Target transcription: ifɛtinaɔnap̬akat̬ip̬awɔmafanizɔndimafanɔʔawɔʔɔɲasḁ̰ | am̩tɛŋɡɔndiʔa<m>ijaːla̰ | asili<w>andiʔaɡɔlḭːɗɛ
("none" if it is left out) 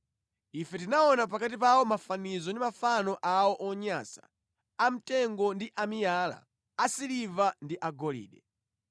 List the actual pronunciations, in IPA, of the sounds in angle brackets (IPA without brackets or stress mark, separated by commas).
m, v